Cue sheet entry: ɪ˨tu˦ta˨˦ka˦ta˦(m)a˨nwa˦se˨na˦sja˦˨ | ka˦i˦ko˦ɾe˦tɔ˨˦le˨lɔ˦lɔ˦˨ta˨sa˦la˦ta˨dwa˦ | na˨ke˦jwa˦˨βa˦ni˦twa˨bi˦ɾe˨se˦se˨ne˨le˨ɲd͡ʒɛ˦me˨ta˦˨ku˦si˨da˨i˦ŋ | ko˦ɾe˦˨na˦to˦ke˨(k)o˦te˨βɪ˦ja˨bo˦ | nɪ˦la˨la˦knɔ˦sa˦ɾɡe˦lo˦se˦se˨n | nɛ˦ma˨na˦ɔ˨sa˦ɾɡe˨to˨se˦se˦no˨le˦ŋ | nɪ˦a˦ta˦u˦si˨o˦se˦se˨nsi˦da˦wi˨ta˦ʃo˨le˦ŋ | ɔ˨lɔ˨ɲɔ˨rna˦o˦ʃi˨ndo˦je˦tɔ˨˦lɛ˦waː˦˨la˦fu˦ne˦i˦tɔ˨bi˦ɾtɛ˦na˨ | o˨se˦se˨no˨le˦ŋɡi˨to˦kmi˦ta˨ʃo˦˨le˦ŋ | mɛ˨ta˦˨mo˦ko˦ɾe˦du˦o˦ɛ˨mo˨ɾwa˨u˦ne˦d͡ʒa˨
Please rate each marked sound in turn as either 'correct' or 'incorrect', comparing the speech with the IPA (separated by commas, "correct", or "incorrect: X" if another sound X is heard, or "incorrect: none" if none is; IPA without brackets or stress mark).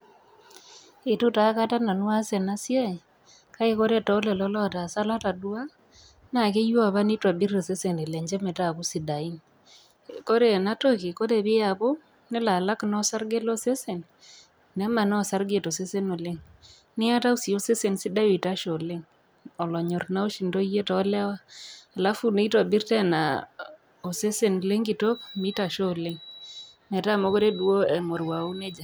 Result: incorrect: n, correct